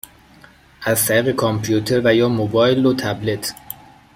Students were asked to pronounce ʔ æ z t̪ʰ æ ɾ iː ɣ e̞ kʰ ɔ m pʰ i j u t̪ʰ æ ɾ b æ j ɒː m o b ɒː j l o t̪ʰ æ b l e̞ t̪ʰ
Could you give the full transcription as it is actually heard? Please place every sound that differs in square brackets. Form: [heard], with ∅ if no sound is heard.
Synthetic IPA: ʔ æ z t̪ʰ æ ɾ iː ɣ e̞ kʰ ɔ m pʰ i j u t̪ʰ [e] ɾ [v] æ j ɒː m o b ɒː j l o t̪ʰ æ b l e̞ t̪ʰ